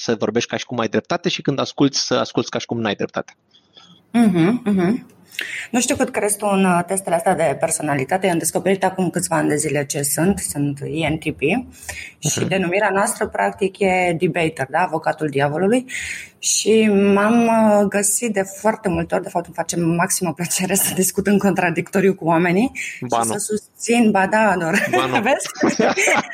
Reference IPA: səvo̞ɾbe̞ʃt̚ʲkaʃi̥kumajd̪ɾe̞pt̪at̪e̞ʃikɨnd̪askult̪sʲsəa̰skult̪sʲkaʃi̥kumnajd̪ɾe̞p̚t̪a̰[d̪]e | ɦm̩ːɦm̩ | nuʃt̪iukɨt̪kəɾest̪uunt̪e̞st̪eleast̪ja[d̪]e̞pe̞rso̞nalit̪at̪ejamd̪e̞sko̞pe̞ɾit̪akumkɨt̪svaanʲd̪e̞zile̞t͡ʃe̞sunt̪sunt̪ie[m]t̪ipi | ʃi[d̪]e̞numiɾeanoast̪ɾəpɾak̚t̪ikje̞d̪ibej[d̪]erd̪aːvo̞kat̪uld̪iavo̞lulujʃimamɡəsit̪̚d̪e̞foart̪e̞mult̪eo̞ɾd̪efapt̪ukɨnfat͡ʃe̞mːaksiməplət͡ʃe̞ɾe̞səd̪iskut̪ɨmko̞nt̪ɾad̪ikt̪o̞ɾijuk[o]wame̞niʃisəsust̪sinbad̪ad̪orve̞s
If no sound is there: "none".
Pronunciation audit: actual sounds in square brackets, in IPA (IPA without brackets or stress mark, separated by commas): t̪, d̪, n, d̪, t̪, u